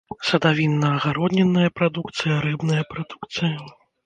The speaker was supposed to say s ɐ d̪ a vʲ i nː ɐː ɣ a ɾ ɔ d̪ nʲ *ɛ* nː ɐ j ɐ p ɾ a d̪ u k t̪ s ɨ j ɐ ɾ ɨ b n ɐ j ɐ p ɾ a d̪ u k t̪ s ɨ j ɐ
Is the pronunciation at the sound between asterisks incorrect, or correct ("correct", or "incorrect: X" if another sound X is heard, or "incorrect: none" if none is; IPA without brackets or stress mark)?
correct